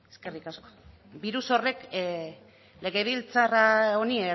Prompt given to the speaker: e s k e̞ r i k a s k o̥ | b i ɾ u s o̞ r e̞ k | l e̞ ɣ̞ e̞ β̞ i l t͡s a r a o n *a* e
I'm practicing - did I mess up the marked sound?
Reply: yes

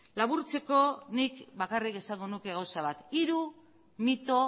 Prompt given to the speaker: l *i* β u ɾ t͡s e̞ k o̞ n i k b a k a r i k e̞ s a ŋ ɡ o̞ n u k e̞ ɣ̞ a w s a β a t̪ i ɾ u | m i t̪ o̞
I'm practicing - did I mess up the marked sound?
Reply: yes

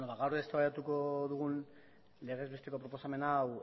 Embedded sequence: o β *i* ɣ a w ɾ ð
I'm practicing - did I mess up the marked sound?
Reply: yes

